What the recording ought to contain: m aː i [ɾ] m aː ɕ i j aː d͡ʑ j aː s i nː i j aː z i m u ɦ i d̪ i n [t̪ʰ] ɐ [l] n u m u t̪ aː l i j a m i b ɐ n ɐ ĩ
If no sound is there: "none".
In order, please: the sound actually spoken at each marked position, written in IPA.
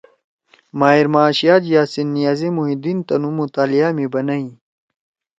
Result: ɾ, t̪, none

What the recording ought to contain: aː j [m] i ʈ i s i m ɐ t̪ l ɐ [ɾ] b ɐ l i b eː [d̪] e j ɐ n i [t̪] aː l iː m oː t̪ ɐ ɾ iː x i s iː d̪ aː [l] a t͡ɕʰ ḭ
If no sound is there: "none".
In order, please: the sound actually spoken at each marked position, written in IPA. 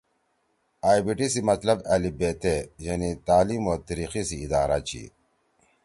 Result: b, none, t̪, t̪, ɾ

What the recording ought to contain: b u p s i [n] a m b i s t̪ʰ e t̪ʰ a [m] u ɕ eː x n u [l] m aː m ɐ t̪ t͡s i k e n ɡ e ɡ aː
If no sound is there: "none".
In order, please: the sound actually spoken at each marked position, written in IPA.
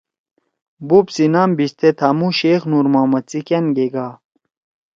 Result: n, m, ɾ

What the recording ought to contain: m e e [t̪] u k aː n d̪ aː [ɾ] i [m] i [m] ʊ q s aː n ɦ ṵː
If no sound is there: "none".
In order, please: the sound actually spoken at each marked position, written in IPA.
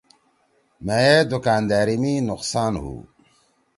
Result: d̪, ɾ, m, n

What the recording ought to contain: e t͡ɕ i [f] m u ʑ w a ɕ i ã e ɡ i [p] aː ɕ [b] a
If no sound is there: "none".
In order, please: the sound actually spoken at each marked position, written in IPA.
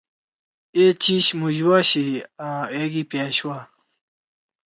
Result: ɕ, p, w

